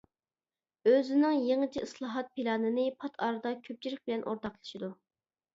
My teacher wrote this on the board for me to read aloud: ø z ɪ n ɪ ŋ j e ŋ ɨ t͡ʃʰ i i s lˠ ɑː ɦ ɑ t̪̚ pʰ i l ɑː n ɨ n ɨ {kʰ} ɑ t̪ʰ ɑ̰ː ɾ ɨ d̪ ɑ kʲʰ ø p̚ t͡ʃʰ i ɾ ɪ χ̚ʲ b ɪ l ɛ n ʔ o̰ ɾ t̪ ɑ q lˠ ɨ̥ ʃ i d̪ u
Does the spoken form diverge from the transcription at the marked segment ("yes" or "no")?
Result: yes